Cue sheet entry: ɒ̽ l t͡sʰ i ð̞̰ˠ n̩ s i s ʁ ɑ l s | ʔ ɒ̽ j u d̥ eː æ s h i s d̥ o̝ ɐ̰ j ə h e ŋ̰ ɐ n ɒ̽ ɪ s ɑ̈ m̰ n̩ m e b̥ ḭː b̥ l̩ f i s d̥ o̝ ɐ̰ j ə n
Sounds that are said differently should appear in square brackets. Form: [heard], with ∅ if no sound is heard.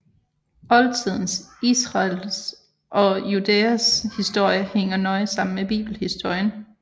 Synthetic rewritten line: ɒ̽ l t͡sʰ i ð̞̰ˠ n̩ s i s ʁ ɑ l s | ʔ ɒ̽ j u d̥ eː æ s h i s d̥ o̝ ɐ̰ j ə h e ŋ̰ ɐ n ɒ̽ ɪ s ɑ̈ m̰ n̩ m e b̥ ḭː b̥ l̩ [h] i s d̥ o̝ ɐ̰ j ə n